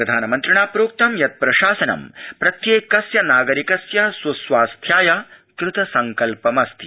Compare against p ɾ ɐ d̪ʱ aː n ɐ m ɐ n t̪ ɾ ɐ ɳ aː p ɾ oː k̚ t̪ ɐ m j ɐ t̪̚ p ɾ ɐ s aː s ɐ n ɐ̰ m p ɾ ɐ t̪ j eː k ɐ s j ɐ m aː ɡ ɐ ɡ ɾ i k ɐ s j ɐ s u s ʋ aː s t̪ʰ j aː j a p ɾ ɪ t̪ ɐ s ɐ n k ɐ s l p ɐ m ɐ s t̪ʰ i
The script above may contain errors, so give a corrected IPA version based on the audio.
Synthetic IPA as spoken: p ɾ ɐ d̪ʱ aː n ɐ m ɐ n t̪ ɾ ɐ ɳ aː p ɾ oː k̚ t̪ ɐ m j ɐ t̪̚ p ɾ ɐ ʃ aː s ɐ n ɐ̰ m p ɾ ɐ t̪ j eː k ɐ s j ɐ n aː ɡ ɐ ɾ i k ɐ s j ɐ s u s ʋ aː s t̪ʰ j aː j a k ɾ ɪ t̪ ɐ s ɐ ŋ k ɐ l p ɐ m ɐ s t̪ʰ i